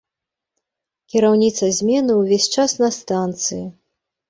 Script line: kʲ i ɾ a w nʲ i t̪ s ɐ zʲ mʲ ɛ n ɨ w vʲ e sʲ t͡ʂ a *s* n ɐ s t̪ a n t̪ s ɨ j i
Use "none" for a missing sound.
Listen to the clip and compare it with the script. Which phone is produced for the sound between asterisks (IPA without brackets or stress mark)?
s